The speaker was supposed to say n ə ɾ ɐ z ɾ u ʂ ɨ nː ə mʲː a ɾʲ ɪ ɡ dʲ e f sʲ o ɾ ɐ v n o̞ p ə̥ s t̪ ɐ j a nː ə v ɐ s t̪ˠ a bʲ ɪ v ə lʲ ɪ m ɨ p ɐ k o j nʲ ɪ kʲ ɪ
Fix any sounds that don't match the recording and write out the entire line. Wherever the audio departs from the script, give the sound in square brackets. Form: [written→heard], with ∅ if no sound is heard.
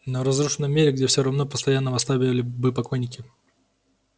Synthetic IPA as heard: n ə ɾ ɐ z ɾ u ʂ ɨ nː ə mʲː [a→e] ɾʲ ɪ ɡ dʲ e f sʲ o ɾ ɐ v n o̞ p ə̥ s t̪ ɐ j a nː ə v ɐ s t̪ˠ a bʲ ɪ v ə lʲ ɪ [m→b] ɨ p ɐ k o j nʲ ɪ kʲ ɪ